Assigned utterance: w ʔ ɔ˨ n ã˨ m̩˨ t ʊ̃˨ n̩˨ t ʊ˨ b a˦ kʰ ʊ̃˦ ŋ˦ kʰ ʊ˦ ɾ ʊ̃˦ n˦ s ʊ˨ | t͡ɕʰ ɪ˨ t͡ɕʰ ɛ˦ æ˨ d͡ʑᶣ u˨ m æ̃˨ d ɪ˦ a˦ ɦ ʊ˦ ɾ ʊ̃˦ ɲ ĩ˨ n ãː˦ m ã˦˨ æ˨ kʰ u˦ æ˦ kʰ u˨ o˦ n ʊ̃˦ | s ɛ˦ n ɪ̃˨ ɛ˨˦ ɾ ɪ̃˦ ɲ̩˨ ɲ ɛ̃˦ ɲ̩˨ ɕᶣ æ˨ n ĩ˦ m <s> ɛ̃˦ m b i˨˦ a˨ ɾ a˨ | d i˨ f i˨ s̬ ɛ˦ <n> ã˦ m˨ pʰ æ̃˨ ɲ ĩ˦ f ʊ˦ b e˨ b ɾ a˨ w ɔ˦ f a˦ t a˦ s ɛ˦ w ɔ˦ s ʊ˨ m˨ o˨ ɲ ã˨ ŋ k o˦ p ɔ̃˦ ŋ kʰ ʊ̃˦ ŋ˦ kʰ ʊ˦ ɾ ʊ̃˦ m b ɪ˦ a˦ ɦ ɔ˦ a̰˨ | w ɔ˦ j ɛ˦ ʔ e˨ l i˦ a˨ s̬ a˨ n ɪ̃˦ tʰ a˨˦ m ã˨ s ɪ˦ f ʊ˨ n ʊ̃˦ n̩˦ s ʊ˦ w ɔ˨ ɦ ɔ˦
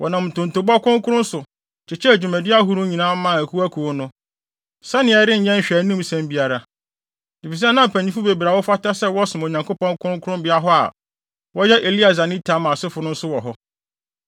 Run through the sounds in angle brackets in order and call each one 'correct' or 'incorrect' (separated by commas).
correct, correct